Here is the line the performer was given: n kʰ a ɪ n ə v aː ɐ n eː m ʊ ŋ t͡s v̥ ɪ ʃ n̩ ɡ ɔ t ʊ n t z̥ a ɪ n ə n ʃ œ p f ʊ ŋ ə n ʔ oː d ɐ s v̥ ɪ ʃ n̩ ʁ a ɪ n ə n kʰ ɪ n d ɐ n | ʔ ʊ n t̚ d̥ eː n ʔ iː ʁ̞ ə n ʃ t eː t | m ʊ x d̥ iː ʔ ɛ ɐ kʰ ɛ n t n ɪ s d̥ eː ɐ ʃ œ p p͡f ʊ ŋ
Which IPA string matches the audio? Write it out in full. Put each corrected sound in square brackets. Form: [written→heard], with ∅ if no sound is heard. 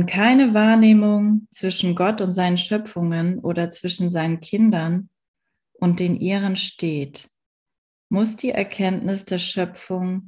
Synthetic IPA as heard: n kʰ a ɪ n ə v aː ɐ n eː m ʊ ŋ t͡s v̥ ɪ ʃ n̩ ɡ ɔ t ʊ n t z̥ a ɪ n ə n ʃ œ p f ʊ ŋ ə n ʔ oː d ɐ [s→t͡s] v̥ ɪ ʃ n̩ [ʁ→z] a ɪ n ə n kʰ ɪ n d ɐ n | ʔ ʊ n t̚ d̥ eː n ʔ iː ʁ̞ ə n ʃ t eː t | m ʊ [x→s] d̥ iː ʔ ɛ ɐ kʰ ɛ n t n ɪ s d̥ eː ɐ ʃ œ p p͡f ʊ ŋ